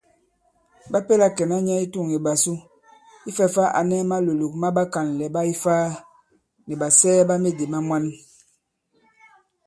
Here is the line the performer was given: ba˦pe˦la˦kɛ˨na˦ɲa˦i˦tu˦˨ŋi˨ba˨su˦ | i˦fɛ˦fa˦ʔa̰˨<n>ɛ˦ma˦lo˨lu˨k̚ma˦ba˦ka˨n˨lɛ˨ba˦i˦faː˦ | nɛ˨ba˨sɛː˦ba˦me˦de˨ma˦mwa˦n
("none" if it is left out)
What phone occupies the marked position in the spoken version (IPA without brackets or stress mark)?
n